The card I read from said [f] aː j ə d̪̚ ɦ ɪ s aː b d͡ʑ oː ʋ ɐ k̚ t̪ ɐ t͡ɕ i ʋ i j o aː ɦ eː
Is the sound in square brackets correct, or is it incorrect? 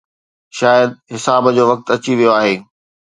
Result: incorrect